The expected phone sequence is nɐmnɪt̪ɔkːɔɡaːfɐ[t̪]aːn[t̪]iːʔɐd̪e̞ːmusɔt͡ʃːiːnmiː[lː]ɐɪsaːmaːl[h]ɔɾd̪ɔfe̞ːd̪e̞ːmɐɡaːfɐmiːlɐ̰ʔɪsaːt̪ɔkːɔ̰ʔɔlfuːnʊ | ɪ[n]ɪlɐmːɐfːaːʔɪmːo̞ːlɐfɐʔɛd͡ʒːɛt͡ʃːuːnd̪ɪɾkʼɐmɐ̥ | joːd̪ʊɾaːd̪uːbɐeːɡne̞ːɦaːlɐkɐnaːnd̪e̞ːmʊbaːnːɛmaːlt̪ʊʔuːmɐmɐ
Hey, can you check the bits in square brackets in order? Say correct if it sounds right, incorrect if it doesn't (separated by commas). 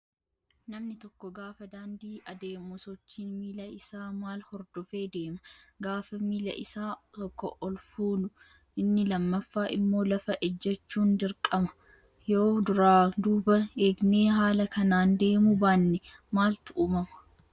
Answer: incorrect, incorrect, incorrect, correct, incorrect